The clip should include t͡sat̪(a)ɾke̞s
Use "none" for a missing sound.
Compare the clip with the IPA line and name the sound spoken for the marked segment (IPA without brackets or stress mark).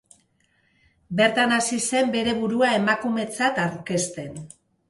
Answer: a